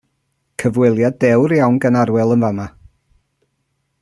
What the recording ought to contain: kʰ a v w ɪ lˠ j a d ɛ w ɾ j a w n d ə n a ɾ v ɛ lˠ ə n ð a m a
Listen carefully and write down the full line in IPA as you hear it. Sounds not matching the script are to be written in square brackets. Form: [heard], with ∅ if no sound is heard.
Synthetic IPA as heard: kʰ [ə] v w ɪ lˠ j a d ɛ w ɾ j a w n [ɡ] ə n a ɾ [w] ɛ lˠ ə n [v] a m a